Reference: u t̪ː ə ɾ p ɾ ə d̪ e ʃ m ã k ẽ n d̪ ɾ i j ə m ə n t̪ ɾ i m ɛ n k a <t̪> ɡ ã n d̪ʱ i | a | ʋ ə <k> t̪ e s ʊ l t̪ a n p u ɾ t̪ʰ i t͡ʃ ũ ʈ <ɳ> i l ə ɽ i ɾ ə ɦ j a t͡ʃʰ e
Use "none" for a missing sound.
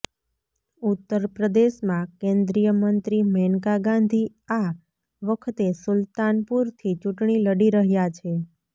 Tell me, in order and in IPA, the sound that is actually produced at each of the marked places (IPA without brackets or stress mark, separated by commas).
none, kʰ, ɳ